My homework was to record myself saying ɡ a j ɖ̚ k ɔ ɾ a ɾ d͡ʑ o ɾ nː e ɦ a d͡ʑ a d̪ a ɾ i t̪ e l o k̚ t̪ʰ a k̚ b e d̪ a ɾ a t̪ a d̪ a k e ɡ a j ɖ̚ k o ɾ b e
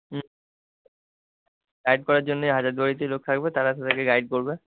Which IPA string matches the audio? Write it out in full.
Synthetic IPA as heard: ɡ a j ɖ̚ k ɔ ɾ a ɾ d͡ʑ o nː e ɦ a d͡ʑ a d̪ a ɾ i t̪ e l o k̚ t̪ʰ a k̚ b e t̪ a ɾ a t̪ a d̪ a k e ɡ a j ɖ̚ k o ɾ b e